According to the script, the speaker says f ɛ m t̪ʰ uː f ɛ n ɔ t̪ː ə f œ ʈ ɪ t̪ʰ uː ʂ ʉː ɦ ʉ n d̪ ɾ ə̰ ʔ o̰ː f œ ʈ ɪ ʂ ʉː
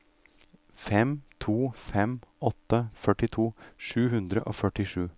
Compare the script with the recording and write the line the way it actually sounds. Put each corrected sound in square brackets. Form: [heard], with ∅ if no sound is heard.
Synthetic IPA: f ɛ m t̪ʰ uː f ɛ [m] ɔ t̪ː ə f œ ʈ ɪ t̪ʰ uː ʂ ʉː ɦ ʉ n d̪ ɾ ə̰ ʔ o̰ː f œ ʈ ɪ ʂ ʉː